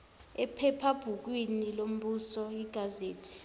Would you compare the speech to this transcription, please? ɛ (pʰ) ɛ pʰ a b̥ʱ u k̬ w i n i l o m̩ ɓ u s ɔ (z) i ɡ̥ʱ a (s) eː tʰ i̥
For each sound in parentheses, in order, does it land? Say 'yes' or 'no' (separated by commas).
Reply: yes, no, no